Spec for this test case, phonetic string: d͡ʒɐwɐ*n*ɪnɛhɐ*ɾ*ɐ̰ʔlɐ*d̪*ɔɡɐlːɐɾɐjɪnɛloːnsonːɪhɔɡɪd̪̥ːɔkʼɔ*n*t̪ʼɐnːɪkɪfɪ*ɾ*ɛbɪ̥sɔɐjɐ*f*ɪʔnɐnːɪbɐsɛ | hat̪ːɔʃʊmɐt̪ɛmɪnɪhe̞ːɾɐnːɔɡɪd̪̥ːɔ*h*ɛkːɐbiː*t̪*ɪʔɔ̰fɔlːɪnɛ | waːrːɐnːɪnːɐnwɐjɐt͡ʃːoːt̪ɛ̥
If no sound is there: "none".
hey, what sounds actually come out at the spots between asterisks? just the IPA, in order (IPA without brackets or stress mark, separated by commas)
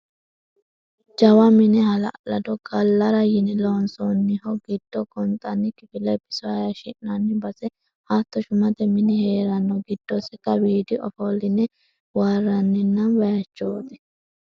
m, l, d̪, n, l, ʃ, s, d̪